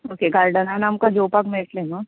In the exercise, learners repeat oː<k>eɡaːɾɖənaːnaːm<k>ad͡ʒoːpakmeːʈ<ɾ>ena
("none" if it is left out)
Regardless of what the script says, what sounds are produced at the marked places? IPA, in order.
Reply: k, k, l

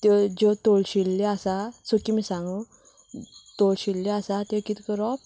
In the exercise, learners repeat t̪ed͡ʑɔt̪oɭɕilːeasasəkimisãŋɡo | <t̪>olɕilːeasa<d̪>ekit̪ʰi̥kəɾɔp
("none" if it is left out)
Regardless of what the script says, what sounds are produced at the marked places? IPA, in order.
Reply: t̪, t̪

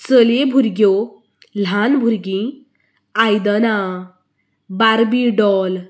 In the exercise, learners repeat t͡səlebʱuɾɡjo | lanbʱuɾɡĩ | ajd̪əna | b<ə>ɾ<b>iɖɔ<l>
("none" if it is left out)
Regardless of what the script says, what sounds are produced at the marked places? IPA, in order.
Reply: a, b, l

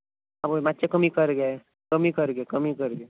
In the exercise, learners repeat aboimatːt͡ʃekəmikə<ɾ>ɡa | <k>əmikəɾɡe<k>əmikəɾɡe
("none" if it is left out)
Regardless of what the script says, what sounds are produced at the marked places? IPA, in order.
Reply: ɾ, k, k

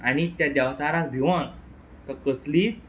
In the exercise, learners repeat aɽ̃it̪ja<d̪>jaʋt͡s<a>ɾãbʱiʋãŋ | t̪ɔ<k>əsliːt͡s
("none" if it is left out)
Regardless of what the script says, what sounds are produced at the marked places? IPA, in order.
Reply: d̪, a, k

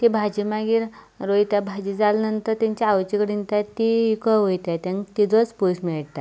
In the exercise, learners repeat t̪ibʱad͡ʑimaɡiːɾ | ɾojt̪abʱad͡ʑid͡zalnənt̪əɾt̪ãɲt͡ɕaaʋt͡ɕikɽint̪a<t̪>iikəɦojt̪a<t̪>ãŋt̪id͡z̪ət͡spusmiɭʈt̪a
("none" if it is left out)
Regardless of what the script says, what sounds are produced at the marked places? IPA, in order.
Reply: t̪, t̪

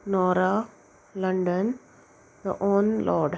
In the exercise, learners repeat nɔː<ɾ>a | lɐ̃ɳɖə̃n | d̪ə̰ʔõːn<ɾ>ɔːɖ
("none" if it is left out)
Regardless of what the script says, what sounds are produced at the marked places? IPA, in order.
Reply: ɾ, l

